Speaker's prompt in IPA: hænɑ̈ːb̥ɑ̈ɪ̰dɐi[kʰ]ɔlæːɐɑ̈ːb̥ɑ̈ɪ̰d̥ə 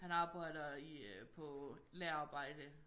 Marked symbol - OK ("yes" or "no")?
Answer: no